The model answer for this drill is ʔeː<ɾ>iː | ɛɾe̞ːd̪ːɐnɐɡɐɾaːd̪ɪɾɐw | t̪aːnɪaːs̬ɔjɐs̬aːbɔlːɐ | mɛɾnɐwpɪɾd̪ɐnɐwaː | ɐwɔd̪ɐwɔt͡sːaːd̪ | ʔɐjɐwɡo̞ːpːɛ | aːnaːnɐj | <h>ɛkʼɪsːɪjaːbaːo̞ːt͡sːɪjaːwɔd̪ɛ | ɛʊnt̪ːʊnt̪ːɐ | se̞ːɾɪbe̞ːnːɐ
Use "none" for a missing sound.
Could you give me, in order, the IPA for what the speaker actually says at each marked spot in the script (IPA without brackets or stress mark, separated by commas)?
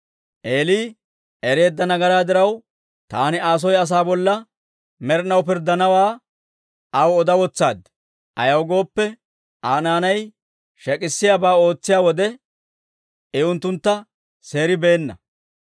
l, ʃ